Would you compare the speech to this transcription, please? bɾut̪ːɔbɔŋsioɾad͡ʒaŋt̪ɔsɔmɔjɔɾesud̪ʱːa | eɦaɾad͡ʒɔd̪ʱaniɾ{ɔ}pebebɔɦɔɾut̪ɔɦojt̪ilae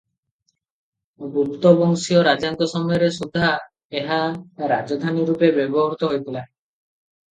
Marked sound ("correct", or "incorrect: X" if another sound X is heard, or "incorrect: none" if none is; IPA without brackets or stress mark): incorrect: u